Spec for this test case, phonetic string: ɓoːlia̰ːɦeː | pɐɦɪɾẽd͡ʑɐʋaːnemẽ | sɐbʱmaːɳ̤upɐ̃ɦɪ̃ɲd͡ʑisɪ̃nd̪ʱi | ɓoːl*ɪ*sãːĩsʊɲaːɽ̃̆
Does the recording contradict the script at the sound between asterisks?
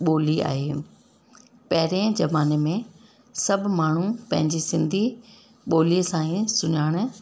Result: yes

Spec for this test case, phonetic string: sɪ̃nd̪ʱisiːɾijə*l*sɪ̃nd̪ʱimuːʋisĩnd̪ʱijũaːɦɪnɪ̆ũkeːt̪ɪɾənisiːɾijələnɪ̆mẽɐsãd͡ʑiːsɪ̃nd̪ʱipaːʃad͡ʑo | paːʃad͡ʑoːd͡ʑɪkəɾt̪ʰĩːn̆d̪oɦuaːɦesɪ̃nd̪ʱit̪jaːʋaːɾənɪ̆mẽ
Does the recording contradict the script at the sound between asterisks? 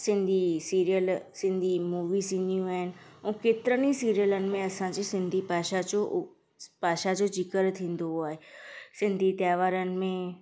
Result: no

